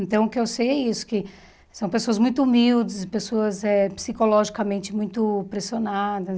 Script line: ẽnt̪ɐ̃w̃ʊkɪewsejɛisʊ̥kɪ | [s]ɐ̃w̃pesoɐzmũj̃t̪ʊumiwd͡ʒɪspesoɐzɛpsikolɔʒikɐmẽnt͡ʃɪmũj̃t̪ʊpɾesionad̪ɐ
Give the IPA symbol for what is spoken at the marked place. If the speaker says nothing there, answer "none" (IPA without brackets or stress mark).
s